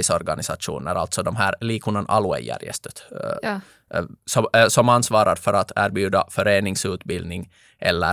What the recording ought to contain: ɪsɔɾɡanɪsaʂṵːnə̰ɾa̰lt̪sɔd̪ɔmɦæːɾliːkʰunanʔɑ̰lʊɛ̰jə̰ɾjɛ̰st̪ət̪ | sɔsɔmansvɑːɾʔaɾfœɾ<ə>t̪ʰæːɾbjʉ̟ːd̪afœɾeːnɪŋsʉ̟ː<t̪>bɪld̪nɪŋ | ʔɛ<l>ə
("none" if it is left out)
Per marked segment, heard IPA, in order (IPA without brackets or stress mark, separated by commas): a, t̪, lː